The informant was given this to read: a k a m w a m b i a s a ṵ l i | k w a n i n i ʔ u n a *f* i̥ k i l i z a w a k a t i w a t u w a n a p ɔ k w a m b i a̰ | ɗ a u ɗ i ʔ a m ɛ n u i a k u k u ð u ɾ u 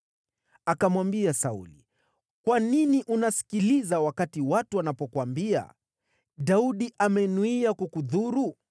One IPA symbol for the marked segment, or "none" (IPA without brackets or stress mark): s